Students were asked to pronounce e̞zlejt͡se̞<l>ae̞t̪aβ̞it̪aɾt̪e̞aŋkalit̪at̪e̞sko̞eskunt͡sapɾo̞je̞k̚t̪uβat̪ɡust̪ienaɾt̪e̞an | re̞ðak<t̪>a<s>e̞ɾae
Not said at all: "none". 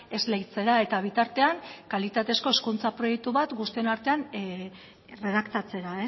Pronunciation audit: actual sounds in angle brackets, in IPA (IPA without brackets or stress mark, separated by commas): ɾ, t̪, t͡s